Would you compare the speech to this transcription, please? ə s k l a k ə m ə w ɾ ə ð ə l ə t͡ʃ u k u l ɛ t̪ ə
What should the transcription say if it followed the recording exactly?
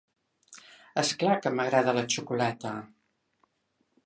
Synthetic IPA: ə s k l a k ə m ə ɣ ɾ a ð ə l ə t͡ʃ u k u l ɛ t̪ ə